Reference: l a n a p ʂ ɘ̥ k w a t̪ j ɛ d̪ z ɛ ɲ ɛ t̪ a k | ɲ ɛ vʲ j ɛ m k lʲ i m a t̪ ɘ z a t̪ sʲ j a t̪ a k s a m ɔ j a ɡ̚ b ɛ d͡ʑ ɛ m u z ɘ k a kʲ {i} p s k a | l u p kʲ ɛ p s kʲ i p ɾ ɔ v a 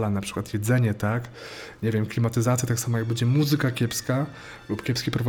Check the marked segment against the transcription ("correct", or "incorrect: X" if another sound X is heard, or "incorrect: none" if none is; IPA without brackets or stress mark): incorrect: ɛ